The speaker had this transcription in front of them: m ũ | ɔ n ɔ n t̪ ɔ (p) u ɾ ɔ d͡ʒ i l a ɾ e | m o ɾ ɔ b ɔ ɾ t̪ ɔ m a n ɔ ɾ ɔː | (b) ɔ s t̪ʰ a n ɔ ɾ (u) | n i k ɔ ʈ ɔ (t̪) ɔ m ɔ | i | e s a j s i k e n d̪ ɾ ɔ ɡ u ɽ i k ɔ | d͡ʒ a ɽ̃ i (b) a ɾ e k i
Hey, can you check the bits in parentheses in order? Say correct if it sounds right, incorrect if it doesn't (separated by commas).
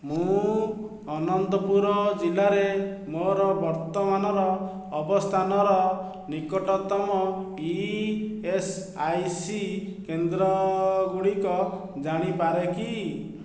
correct, correct, incorrect, correct, incorrect